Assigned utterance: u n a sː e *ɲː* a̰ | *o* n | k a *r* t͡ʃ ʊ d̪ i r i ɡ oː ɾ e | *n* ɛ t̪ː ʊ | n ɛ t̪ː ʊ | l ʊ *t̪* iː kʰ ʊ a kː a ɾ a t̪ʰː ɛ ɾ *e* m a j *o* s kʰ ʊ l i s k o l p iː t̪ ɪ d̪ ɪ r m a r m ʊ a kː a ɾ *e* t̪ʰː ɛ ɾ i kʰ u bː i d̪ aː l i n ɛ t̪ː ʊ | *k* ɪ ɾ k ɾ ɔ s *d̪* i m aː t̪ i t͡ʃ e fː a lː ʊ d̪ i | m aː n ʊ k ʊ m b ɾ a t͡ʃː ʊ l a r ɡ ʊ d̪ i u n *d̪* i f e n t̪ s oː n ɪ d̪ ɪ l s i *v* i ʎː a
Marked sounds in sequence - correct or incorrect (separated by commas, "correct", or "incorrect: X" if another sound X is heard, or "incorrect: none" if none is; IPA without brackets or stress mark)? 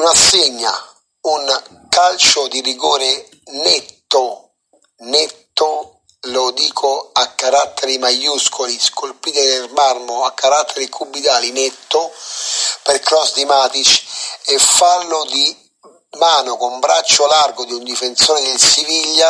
correct, incorrect: u, incorrect: l, correct, incorrect: d̪, incorrect: i, incorrect: u, incorrect: a, incorrect: p, correct, correct, correct